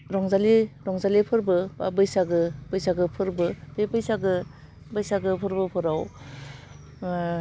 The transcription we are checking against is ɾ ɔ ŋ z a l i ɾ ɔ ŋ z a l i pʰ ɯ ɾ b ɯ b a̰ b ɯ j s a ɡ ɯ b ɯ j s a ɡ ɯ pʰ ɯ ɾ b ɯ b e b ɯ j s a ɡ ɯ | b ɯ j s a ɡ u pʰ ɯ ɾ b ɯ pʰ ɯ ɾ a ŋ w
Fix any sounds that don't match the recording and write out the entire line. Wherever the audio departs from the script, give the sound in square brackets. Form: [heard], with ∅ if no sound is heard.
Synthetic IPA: ɾ ɔ ŋ z a l i ɾ ɔ ŋ z a l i pʰ ɯ ɾ b ɯ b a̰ b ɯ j s a ɡ ɯ b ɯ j s a ɡ ɯ pʰ ɯ ɾ b ɯ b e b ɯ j s a ɡ ɯ | b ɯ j s a ɡ [ɯ] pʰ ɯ ɾ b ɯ pʰ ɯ ɾ a [∅] w

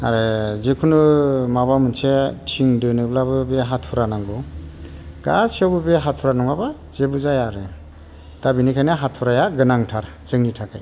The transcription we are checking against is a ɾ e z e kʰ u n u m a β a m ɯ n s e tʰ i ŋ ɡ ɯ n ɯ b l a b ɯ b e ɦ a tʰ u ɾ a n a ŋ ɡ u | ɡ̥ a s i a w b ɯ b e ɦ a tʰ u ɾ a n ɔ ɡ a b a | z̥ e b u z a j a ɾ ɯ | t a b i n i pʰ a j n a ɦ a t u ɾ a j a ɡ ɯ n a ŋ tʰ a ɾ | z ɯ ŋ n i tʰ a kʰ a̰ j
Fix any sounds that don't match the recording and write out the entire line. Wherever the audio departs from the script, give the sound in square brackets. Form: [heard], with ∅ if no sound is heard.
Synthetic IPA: a ɾ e z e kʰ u n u m a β a m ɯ n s e tʰ i ŋ [d] ɯ n ɯ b l a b ɯ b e ɦ a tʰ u ɾ a n a ŋ ɡ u | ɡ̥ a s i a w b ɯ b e ɦ a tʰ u ɾ a n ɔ [ŋ] a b a | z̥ e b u z a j a ɾ ɯ | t a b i n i [kʰ] a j n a ɦ a [tʰ] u ɾ a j a ɡ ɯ n a ŋ tʰ a ɾ | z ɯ ŋ n i tʰ a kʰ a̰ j

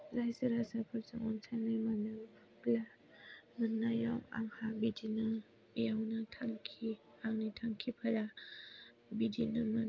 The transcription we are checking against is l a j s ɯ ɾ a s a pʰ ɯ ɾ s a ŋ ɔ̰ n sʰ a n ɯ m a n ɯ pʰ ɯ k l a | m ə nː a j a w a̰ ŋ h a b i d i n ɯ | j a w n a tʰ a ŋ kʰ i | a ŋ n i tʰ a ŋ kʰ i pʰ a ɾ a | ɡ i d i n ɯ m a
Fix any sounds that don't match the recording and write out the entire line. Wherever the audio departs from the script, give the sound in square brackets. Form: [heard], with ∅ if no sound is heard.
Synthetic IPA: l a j s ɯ ɾ a s a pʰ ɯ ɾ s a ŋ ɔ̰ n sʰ a n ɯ m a n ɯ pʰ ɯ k l a | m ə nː a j a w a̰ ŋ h a b i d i n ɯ | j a w n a tʰ a ŋ kʰ i | a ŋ n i tʰ a ŋ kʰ i pʰ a ɾ a | [b] i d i n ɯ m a

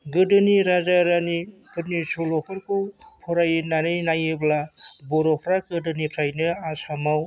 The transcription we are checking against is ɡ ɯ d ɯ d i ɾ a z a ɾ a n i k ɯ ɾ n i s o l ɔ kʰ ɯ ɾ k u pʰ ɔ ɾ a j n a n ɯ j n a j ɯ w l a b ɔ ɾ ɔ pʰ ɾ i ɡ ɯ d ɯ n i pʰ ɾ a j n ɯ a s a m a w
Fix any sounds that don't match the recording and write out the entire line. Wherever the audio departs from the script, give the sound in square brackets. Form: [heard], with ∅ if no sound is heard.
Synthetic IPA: ɡ ɯ d ɯ [n] i ɾ a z a ɾ a n i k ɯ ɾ n i s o l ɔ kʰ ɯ ɾ k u pʰ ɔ ɾ a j n a n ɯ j n a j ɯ [b] l a b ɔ ɾ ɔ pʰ ɾ [a] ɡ ɯ d ɯ n i pʰ ɾ a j n ɯ a s a m a w

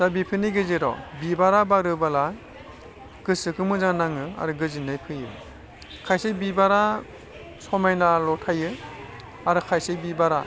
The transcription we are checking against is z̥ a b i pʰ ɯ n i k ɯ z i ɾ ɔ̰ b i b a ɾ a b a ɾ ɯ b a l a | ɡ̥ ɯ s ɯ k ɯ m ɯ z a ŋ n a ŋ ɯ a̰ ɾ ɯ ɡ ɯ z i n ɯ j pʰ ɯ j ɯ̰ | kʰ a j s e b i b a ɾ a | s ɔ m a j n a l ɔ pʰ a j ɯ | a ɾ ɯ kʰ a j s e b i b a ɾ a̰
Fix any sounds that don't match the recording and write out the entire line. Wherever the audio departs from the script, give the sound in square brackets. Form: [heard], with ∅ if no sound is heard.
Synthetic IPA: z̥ a b i pʰ ɯ n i [ɡ] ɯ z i ɾ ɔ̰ b i b a ɾ a b a ɾ ɯ b a l a | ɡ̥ ɯ s ɯ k ɯ m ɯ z a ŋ n a ŋ ɯ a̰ ɾ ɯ ɡ ɯ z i n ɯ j pʰ ɯ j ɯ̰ | kʰ a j s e b i b a ɾ a | s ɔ m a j n a l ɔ [tʰ] a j ɯ | a ɾ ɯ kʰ a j s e b i b a ɾ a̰

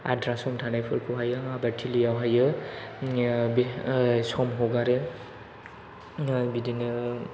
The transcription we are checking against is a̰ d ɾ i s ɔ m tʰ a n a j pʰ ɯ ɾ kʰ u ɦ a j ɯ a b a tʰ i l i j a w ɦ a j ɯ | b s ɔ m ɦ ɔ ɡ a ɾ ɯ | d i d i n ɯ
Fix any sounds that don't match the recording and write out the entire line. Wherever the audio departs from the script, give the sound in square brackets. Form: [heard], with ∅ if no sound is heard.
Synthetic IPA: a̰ d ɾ [a] s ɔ m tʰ a n a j pʰ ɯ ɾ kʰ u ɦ a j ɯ a b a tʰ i l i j a w ɦ a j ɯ | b s ɔ m ɦ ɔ ɡ a ɾ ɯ | [b] i d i n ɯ

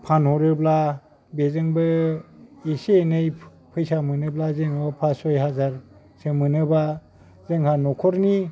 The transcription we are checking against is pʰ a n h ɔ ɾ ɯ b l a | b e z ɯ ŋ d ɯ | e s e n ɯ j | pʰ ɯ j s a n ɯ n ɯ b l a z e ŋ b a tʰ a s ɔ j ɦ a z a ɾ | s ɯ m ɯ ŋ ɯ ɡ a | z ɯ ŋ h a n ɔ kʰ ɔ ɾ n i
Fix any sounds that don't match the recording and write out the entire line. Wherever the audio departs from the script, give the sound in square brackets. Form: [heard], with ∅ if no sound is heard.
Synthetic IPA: pʰ a n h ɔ ɾ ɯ b l a | b e z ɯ ŋ [b] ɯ | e s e n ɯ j | pʰ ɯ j s a [m] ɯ n ɯ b l a z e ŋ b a [pʰ] a s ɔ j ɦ a z a ɾ | s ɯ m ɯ [n] ɯ [b] a | z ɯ ŋ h a n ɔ kʰ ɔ ɾ n i

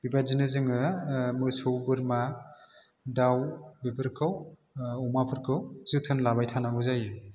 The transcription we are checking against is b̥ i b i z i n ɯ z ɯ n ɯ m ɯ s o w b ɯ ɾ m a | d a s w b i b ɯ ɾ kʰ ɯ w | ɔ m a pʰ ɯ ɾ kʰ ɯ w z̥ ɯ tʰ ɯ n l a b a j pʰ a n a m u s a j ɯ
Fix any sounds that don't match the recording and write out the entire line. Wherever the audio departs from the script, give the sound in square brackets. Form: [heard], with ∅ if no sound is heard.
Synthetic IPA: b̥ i b [a] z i n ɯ z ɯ [ŋ] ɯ m ɯ s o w b ɯ ɾ m a | d a [∅] w b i b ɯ ɾ kʰ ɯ w | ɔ m a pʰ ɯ ɾ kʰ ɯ w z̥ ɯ tʰ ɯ n l a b a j [tʰ] a n a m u [z] a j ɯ

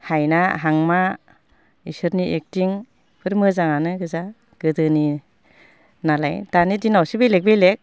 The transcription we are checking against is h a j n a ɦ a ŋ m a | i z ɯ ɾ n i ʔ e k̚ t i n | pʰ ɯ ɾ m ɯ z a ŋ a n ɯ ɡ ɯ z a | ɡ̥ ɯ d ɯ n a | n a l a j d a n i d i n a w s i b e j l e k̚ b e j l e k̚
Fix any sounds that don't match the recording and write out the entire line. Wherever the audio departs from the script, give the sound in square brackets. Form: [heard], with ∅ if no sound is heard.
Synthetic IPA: h a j n a ɦ a ŋ m a | i [s] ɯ ɾ n i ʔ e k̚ t i [ŋ] | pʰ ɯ ɾ m ɯ z a ŋ a n ɯ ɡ ɯ z a | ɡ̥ ɯ d ɯ n [i] | n a l a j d a n i d i n a w s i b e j l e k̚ b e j l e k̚

